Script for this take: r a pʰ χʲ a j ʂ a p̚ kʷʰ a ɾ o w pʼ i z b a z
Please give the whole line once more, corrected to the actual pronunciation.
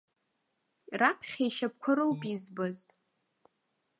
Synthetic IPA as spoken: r a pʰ χʲ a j ʃ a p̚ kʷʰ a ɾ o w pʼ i z b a z